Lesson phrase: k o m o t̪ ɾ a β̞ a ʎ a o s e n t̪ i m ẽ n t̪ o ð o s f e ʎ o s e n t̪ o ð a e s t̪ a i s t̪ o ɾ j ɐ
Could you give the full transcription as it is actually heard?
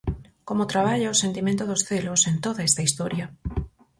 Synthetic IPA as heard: k o m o t̪ ɾ a β̞ a ʎ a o s e n t̪ i m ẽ n t̪ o ð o s θ e l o s e n t̪ o ð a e s t̪ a i s t̪ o ɾ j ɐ